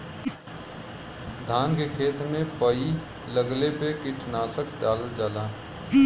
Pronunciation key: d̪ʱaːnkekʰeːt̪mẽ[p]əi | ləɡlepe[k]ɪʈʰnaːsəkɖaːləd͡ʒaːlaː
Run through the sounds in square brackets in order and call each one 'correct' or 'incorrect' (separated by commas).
correct, correct